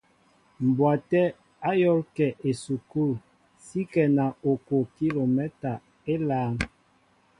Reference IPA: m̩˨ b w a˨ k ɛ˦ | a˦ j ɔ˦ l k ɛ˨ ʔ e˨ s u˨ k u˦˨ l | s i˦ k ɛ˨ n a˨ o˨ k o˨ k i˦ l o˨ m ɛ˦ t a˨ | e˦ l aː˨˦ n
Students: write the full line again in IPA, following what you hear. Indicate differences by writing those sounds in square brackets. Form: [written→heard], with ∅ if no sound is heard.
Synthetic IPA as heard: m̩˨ b w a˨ [k→t] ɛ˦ | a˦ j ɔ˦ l k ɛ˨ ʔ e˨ s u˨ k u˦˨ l | s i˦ k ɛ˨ n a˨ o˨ k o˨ k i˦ l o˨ m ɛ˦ t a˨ | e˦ l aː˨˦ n